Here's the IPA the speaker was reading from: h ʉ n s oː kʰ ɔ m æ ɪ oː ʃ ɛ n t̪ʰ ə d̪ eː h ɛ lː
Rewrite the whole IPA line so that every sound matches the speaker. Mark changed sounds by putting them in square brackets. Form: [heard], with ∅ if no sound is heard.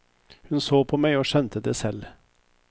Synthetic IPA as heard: h ʉ n s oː [pʰ] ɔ m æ ɪ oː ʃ ɛ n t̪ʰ ə d̪ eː [s] ɛ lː